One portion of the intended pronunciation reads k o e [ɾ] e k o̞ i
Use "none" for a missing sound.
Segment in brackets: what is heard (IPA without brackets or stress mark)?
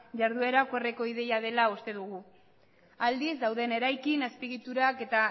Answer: r